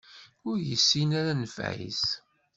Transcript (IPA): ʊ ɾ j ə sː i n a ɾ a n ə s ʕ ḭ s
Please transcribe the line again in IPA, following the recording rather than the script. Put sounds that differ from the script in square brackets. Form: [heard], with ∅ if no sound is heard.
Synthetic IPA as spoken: ʊ ɾ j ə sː i n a ɾ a n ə [f] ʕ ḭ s